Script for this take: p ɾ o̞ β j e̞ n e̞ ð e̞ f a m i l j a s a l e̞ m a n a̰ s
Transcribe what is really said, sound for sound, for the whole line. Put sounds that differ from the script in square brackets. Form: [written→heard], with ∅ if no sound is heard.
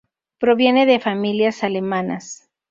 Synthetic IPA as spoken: p ɾ o̞ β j e̞ n e̞ ð e̞ f a m i l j a s a l e̞ m a n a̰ s